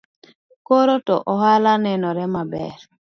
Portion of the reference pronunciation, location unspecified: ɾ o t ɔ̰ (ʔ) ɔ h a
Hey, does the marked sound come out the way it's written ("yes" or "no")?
yes